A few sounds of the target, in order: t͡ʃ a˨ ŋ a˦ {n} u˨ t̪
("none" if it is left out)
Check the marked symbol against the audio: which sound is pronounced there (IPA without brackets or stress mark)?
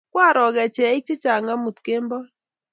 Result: m